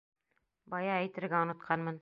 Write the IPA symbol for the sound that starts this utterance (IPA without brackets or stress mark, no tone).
b